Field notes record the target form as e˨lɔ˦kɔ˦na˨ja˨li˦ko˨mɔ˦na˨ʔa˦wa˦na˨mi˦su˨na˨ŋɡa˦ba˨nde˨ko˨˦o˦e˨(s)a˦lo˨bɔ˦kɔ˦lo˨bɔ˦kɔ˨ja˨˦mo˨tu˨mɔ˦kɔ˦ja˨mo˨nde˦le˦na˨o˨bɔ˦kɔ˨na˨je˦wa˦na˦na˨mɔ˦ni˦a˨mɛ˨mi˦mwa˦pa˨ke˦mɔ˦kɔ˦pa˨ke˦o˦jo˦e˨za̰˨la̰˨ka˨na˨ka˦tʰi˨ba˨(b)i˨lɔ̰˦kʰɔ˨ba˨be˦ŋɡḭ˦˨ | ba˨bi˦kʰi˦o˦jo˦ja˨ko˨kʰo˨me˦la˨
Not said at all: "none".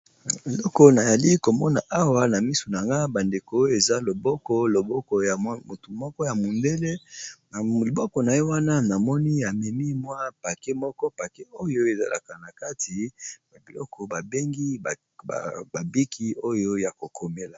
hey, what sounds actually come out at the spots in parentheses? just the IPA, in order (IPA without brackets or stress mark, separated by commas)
z, b